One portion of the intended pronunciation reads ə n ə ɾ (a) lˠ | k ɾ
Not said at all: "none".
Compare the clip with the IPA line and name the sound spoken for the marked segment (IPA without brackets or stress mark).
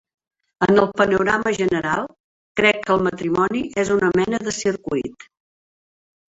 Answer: a